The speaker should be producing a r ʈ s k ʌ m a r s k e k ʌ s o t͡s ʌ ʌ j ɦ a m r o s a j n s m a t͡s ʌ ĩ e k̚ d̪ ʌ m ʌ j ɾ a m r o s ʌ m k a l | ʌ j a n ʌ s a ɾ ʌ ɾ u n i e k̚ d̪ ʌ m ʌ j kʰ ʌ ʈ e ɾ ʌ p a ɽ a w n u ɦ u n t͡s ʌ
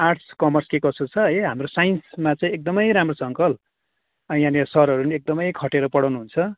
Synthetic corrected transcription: a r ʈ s k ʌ m ʌ r s k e k ʌ s o t͡sʰ ʌ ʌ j ɦ a m r o s a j n s m a t͡s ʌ ĩ e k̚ d̪ ʌ m ʌ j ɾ a m r o s ʌ ŋ k ʌ l | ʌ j a n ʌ s ʌ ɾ ʌ ɾ u n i e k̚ d̪ ʌ m ʌ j kʰ ʌ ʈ e ɾ ʌ p ʌ ɽ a w n u ɦ u n t͡sʰ ʌ